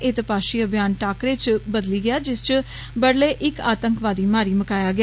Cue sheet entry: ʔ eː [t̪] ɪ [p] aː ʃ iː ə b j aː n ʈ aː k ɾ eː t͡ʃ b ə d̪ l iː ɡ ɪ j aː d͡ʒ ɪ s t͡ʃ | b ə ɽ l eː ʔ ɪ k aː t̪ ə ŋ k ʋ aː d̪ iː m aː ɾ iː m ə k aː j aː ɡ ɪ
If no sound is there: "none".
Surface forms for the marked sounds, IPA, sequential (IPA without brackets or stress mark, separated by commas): t̪, p